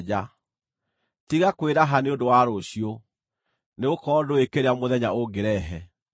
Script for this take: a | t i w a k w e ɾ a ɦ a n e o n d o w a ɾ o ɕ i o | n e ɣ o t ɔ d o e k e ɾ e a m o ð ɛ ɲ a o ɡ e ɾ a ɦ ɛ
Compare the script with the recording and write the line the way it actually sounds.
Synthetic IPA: a | t i ɣ a k w e ɾ a ɦ a n e o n d o w a ɾ o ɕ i o | n e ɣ o k ɔ d o e k e ɾ e a m o ð ɛ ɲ a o ɡ e ɾ ɛ ɦ ɛ